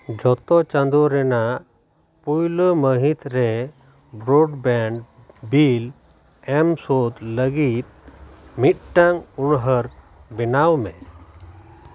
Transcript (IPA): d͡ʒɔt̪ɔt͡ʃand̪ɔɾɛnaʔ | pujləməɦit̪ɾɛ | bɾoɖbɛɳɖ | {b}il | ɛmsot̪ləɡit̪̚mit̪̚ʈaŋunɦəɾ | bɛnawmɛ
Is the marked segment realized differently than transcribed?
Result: no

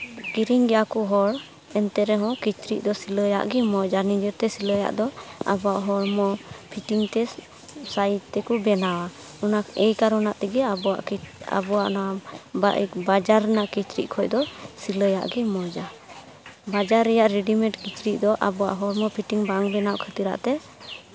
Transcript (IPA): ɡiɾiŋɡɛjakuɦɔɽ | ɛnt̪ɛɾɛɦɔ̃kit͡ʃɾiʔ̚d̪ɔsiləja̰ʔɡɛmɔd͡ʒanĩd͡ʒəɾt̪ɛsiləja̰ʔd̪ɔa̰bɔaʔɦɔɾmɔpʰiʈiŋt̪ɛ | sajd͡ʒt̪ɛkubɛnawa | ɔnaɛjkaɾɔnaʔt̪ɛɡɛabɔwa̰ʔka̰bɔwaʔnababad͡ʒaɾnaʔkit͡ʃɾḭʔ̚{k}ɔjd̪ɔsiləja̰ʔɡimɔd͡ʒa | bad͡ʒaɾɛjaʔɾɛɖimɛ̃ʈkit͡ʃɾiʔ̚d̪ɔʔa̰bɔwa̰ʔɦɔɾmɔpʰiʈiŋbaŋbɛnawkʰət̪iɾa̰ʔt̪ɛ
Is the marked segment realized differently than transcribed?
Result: yes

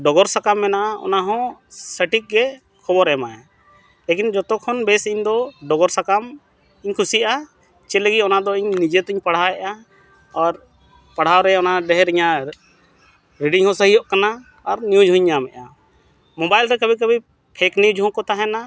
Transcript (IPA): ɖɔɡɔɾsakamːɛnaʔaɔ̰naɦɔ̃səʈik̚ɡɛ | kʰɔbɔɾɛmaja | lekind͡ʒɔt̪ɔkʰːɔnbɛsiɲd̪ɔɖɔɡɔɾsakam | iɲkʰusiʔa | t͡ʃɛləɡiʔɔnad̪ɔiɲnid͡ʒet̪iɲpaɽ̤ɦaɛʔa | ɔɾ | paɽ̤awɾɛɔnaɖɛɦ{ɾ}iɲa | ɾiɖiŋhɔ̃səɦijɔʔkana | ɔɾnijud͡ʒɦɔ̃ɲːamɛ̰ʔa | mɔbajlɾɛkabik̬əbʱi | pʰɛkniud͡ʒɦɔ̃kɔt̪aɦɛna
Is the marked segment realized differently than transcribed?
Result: no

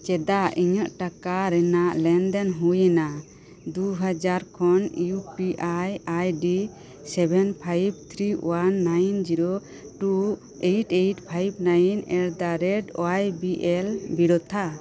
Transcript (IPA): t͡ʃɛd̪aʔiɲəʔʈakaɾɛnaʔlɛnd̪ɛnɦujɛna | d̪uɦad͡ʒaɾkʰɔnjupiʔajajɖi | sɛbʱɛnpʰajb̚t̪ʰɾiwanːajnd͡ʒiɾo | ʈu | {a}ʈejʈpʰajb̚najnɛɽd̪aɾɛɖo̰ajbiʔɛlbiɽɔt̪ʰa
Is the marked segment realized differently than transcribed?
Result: yes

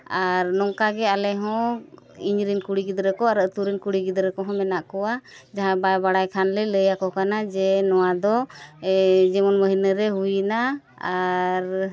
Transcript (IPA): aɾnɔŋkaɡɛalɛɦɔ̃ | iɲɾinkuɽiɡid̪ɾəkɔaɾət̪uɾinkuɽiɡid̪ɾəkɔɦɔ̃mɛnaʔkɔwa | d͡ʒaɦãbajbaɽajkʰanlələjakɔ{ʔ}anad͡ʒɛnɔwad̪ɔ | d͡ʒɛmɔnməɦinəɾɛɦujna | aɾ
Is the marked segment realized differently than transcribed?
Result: yes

